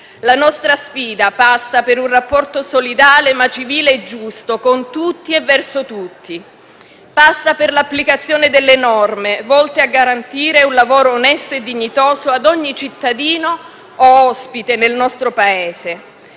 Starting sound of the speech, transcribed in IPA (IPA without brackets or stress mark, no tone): l